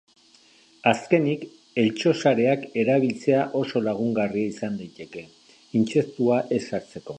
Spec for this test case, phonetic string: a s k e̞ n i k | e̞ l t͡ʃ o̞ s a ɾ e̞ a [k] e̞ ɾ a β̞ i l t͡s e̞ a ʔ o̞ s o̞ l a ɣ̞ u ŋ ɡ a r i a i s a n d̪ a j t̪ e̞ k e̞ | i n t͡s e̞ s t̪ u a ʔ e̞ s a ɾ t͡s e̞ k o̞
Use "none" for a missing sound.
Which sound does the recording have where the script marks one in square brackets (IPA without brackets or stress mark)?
k